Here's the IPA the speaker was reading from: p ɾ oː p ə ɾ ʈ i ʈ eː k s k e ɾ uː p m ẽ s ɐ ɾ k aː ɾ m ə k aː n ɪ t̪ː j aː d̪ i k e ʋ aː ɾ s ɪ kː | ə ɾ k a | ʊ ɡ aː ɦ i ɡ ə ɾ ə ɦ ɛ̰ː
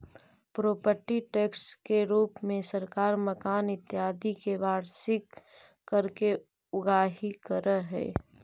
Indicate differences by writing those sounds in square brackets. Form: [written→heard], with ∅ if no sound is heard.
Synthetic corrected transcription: p ɾ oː p ə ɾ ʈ i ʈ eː k s k e ɾ uː p m ẽ s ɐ ɾ k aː ɾ m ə k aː n ɪ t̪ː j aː d̪ i k e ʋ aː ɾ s ɪ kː | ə ɾ k [a→e] | ʊ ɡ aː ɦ i [ɡ→k] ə ɾ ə ɦ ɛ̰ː